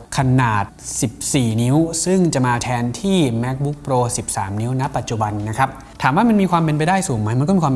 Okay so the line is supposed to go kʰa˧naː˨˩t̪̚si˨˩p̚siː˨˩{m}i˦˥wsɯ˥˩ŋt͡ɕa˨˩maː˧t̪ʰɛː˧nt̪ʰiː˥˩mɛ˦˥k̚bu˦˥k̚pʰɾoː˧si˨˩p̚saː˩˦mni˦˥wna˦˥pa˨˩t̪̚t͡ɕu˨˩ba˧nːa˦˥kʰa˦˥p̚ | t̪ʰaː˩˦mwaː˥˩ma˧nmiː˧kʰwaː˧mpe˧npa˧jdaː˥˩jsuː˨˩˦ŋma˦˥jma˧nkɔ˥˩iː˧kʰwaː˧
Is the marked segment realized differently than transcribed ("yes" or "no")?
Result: yes